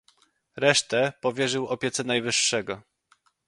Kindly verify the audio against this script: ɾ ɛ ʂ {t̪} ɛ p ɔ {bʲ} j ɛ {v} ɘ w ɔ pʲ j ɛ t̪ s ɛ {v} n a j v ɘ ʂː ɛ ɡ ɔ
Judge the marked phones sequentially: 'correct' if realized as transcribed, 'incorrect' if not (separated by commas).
correct, incorrect, incorrect, incorrect